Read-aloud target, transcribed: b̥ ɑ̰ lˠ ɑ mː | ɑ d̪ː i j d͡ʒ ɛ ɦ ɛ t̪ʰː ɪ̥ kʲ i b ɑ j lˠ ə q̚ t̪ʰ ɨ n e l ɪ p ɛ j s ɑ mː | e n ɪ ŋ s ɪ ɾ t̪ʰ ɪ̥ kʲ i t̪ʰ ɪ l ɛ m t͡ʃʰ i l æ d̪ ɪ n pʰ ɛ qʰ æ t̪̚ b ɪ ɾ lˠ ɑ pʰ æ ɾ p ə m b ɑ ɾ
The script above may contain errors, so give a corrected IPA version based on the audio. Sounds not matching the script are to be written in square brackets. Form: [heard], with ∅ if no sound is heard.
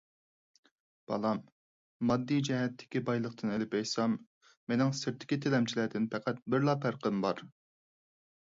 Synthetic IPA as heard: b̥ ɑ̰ lˠ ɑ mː | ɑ d̪ː i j d͡ʒ ɛ ɦ ɛ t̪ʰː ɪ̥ kʲ i b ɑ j lˠ ə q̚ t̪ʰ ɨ n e l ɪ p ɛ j s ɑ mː | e n ɪ ŋ s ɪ ɾ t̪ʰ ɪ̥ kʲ i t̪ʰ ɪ l ɛ m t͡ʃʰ i l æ d̪ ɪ n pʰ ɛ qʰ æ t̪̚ b ɪ ɾ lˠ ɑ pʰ æ ɾ [q] ə m b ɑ ɾ

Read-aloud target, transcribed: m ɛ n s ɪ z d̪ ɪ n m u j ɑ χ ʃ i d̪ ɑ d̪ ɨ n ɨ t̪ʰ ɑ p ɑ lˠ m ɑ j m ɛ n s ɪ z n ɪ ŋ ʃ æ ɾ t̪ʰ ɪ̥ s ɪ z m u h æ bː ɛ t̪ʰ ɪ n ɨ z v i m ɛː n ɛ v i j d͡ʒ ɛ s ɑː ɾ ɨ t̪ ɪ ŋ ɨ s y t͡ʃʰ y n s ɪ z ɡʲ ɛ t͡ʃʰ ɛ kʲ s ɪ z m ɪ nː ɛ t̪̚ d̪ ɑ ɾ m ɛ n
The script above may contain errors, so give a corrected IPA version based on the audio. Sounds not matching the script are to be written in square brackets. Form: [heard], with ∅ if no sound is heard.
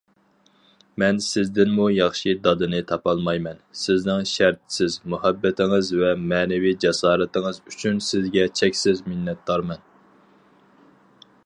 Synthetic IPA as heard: m ɛ n s ɪ z d̪ ɪ n m u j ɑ χ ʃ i d̪ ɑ d̪ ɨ n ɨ t̪ʰ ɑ p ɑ lˠ m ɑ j m ɛ n s ɪ z n ɪ ŋ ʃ æ ɾ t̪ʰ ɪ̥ s ɪ z m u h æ bː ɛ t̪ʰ ɪ [ŋ] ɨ z v [ɛ] m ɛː n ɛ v i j d͡ʒ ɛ s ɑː ɾ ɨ t̪ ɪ ŋ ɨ [z] y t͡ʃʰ y n s ɪ z ɡʲ ɛ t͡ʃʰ ɛ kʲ s ɪ z m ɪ nː ɛ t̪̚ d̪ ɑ ɾ m ɛ n

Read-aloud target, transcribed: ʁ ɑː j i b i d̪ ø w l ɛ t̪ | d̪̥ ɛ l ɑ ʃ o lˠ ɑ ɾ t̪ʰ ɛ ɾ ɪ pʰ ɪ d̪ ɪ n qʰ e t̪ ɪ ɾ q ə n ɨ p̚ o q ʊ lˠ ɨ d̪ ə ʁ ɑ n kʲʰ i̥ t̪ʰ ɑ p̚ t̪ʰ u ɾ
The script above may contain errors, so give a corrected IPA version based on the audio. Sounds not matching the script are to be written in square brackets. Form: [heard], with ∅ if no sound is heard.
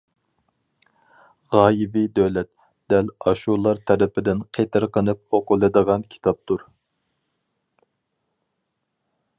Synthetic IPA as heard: ʁ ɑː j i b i d̪ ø w l ɛ t̪ | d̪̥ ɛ l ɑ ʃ [u] lˠ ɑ ɾ t̪ʰ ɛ ɾ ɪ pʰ ɪ d̪ ɪ n qʰ e t̪ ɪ ɾ q ə n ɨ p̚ o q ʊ lˠ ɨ d̪ ə ʁ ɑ n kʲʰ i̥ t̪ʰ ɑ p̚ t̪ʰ u ɾ

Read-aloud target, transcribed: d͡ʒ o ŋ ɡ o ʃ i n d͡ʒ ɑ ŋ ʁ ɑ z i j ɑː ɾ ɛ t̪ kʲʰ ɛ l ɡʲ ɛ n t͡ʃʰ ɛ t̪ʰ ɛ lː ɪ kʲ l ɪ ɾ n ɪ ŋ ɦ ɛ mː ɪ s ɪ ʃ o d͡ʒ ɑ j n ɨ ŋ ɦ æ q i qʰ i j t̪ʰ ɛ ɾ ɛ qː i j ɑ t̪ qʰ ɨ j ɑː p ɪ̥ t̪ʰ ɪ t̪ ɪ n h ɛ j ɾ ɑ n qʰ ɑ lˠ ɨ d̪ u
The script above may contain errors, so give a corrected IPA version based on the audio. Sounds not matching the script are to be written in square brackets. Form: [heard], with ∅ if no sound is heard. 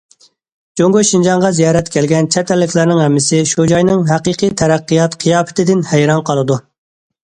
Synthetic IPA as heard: d͡ʒ o ŋ ɡ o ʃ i n d͡ʒ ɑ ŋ ʁ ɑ z i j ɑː ɾ ɛ t̪ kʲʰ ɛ l ɡʲ ɛ n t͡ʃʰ ɛ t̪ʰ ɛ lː ɪ kʲ l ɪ ɾ n ɪ ŋ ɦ ɛ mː ɪ s ɪ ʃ [u] d͡ʒ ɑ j n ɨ ŋ ɦ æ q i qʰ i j t̪ʰ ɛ ɾ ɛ qː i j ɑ t̪ qʰ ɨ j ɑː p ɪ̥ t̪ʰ ɪ [d̪] ɪ n h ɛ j ɾ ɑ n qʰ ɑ lˠ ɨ d̪ u

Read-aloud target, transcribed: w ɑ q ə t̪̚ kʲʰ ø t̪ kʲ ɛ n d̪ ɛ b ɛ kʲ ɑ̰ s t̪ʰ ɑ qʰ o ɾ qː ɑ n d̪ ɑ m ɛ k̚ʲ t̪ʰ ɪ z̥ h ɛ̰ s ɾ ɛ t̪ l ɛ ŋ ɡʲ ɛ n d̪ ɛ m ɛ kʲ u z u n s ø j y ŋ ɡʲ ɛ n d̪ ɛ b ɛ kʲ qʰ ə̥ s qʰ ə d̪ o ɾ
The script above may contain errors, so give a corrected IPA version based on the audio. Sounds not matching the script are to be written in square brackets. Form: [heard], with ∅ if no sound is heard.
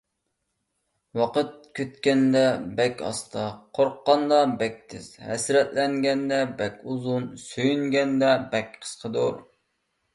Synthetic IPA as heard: w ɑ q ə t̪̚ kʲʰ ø t̪ kʲ ɛ n d̪ ɛ b ɛ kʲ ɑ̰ s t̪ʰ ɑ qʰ o ɾ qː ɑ n d̪ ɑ [b] ɛ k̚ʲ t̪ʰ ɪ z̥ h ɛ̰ s ɾ ɛ t̪ l ɛ ŋ ɡʲ ɛ n d̪ ɛ [b] ɛ kʲ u z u n s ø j y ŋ ɡʲ ɛ n d̪ ɛ b ɛ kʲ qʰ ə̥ s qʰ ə d̪ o ɾ

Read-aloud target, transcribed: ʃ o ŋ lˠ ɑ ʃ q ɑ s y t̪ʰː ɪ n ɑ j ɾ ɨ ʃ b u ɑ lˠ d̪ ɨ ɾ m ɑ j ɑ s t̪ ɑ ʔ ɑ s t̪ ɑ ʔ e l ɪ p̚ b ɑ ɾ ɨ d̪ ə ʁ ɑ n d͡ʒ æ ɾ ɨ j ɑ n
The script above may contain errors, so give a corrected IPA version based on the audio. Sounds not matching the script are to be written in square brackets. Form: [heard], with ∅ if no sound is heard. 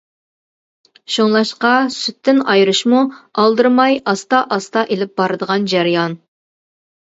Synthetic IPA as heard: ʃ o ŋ lˠ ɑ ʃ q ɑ s y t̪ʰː ɪ n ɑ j ɾ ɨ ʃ [m] u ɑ lˠ d̪ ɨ ɾ m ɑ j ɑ s t̪ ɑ ʔ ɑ s t̪ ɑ ʔ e l ɪ p̚ b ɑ ɾ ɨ d̪ ə ʁ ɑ n d͡ʒ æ ɾ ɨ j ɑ n

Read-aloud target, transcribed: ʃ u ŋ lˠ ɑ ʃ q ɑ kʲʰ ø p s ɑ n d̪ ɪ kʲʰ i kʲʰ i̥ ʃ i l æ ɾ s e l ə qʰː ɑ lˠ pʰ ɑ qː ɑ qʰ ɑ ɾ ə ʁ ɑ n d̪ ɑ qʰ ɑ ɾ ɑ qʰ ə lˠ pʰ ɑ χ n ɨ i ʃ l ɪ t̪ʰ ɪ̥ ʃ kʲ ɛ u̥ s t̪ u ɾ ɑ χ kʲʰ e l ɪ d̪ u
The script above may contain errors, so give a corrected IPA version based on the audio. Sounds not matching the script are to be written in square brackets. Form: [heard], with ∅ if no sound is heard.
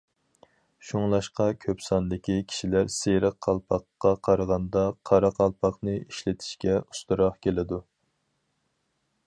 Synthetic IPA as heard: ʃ u ŋ lˠ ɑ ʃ q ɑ kʲʰ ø p s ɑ n d̪ ɪ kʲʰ i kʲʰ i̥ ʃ i l æ ɾ s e [ɾ] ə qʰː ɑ lˠ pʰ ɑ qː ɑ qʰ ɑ ɾ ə ʁ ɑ n d̪ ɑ qʰ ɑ ɾ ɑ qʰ [ɑ] lˠ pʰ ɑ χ n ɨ i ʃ l ɪ t̪ʰ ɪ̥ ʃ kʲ ɛ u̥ s t̪ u ɾ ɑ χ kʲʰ e l ɪ d̪ u

